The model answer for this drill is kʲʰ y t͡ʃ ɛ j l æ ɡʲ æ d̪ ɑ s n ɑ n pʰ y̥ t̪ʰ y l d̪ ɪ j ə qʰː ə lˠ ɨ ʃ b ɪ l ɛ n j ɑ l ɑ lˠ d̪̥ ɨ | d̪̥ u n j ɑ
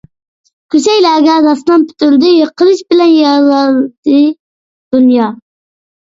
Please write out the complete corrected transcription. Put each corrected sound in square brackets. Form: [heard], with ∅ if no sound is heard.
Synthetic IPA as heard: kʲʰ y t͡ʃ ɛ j l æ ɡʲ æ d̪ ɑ s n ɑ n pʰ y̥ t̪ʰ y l d̪ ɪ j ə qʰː ə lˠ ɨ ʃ b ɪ l ɛ n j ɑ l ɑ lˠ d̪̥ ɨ | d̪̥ u n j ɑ